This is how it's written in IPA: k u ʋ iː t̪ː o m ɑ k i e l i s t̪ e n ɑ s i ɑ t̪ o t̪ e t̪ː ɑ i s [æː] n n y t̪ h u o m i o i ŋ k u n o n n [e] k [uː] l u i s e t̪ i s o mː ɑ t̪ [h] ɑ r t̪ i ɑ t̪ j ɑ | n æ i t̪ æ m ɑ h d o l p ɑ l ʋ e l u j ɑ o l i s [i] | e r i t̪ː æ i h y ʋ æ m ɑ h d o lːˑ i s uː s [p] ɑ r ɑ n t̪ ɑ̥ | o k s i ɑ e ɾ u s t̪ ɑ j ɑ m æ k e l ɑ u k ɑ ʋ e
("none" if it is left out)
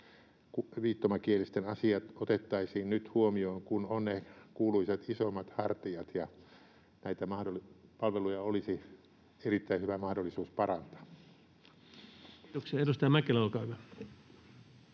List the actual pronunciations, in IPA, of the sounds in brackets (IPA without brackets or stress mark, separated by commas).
iː, e, uː, h, i, p